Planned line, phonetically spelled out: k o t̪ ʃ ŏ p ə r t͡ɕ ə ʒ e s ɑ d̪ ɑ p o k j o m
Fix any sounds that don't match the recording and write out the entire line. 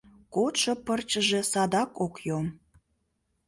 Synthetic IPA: k o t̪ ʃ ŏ p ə r t͡ɕ ə ʒ e s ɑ d̪ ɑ k o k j o m